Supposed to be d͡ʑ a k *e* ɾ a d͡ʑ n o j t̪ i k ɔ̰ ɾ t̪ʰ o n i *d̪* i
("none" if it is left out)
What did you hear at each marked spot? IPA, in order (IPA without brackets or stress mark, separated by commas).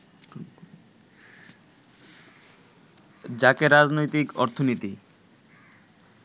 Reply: e, t̪